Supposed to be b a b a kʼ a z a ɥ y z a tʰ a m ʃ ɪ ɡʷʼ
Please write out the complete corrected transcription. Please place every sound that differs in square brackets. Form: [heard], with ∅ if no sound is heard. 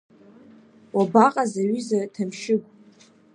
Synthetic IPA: [w] a b a [qʼ] a z a ɥ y z a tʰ a m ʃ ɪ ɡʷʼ